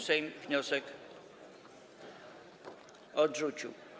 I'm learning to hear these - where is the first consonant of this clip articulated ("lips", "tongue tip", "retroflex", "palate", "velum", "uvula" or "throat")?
tongue tip